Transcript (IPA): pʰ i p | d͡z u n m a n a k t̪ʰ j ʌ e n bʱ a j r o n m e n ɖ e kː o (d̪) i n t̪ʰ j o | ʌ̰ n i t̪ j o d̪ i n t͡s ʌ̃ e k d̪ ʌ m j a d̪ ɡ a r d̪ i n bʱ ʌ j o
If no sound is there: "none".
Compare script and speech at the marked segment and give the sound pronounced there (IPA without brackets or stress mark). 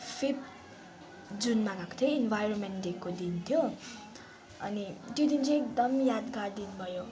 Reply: d̪